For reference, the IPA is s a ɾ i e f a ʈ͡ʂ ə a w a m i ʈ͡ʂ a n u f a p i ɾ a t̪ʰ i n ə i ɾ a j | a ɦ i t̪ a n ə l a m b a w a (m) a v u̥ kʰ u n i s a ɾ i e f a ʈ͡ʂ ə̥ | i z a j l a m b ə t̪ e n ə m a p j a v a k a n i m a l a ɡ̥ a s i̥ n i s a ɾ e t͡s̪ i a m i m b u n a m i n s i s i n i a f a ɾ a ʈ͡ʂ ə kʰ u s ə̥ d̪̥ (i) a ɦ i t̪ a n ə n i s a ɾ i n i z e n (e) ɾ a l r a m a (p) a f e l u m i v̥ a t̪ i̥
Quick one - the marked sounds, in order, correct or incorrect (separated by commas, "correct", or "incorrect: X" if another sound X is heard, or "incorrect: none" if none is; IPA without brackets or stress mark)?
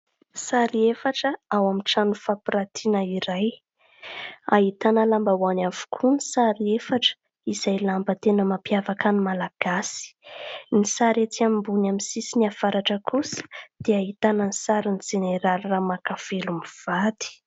incorrect: n, incorrect: e, correct, incorrect: k